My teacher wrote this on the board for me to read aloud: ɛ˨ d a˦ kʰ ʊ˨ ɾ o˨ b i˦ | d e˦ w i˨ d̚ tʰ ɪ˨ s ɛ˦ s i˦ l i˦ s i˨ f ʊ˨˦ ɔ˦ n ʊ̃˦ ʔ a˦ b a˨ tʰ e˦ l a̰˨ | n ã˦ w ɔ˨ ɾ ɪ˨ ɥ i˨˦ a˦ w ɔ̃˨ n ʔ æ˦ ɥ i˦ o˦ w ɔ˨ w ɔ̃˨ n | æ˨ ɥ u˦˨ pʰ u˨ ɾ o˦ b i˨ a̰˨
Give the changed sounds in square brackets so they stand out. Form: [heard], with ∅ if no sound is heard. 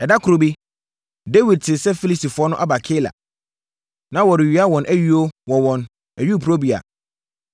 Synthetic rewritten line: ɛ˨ d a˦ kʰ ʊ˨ ɾ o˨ b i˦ | d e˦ w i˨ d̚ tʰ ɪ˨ s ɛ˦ [f] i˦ l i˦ s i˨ f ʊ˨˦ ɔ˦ n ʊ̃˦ ʔ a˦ b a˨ [kʰ] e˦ l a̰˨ | n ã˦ w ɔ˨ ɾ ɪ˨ ɥ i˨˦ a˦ w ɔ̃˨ n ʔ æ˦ ɥ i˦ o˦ w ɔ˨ w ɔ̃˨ n | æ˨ ɥ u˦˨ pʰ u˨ ɾ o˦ b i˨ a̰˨